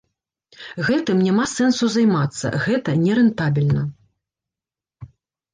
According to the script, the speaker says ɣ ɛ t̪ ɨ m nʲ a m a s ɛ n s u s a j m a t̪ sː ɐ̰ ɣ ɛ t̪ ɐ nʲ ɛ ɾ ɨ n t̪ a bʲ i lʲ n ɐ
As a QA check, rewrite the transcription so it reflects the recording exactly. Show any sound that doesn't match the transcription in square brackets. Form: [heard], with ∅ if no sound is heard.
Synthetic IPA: ɣ ɛ t̪ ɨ m nʲ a m a s ɛ n s u [z] a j m a t̪ sː ɐ̰ ɣ ɛ t̪ ɐ nʲ ɛ ɾ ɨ n t̪ a bʲ i lʲ n ɐ